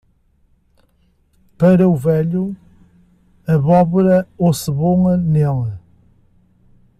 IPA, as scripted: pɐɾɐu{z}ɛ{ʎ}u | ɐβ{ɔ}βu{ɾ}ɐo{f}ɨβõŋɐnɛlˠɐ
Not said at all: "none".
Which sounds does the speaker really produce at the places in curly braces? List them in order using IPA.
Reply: v, ʎ, ɔ, ɾ, s

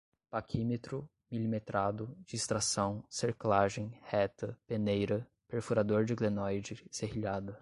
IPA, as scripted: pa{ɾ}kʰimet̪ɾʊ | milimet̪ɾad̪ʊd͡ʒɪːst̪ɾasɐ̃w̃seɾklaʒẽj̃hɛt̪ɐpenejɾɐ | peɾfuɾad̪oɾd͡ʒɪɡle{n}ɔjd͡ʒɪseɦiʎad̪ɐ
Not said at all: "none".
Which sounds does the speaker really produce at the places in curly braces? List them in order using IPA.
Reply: none, n

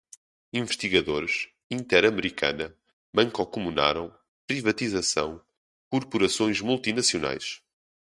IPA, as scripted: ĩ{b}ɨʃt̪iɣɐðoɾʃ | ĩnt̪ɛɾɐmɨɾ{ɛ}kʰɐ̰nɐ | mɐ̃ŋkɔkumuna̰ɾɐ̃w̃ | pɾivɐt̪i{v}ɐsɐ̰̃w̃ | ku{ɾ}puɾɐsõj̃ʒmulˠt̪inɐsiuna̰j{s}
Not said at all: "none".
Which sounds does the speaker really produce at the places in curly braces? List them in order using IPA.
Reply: v, i, z, ɾ, ʃ

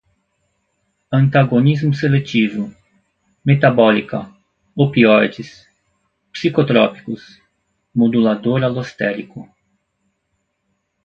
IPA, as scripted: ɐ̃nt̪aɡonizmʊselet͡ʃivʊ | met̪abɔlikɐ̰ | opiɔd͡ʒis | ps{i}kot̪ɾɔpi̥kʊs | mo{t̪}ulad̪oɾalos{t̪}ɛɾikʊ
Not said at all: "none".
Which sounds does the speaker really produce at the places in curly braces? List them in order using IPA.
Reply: i, d̪, t̪

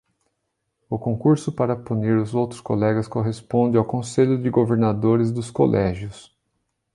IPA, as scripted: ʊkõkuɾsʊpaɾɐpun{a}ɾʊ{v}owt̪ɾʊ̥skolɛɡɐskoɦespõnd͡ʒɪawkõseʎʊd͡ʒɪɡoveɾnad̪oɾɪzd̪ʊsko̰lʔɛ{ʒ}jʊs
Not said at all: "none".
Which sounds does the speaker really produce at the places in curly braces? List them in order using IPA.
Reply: i, z, ʒ

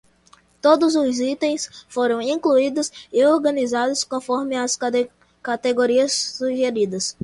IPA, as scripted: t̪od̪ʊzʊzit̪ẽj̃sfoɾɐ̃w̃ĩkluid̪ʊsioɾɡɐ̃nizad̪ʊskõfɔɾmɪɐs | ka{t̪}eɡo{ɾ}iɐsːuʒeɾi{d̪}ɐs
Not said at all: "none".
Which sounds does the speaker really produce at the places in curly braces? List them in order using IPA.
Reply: t̪, ɾ, d̪

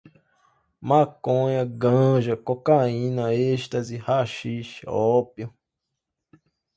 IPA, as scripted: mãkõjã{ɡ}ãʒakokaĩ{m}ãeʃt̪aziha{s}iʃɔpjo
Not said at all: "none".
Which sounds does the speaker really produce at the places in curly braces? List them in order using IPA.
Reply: ɡ, n, ʃ

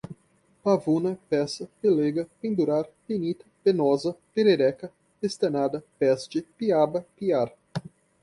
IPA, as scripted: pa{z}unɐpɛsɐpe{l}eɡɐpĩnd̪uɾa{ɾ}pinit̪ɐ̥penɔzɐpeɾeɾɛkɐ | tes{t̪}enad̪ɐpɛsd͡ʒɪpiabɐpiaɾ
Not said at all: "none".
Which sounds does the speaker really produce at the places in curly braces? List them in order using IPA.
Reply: v, l, ɾ, t̪

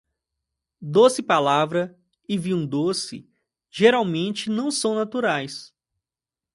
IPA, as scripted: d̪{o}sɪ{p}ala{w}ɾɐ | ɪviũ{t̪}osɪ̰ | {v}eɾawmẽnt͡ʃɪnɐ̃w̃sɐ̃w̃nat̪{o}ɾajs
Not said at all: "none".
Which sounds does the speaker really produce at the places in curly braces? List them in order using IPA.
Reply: o, p, v, d̪, ʒ, u

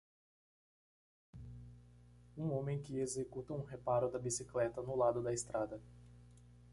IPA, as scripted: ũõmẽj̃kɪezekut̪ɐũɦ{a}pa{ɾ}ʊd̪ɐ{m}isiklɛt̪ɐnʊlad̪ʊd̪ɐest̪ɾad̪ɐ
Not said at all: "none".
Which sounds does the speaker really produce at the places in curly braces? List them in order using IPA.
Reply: e, ɾ, b

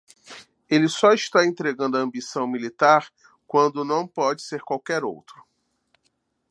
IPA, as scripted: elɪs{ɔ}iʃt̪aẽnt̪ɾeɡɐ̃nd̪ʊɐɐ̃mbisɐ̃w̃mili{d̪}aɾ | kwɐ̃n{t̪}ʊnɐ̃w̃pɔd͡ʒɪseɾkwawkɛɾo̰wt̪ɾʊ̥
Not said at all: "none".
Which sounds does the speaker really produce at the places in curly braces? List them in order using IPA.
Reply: ɔ, t̪, d̪

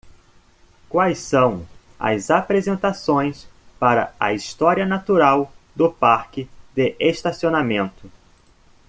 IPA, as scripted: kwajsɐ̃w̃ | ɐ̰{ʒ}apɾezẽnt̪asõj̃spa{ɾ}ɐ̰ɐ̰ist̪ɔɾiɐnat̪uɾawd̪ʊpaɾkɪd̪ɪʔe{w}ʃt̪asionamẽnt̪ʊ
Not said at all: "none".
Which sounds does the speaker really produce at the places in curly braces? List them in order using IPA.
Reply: z, ɾ, none

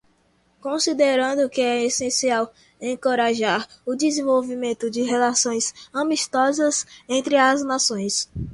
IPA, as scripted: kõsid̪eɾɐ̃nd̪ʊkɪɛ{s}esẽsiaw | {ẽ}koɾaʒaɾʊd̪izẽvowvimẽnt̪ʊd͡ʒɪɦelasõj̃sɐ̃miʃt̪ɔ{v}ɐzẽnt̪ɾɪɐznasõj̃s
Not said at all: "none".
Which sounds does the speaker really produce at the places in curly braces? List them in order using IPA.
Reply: none, ẽ, z

